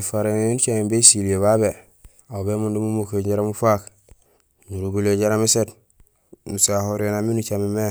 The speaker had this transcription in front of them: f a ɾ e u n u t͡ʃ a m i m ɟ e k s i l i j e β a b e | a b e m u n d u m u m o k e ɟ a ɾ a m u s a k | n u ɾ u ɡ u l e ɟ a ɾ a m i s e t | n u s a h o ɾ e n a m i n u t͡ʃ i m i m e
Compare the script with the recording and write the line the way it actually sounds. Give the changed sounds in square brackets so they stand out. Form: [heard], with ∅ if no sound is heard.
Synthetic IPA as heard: f a ɾ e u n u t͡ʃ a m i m [b] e [∅] s i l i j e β a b e | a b e m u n d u m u m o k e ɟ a ɾ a m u [f] a k | n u ɾ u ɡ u l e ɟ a ɾ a m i s e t | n u s a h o ɾ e n a m i n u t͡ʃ [a] m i m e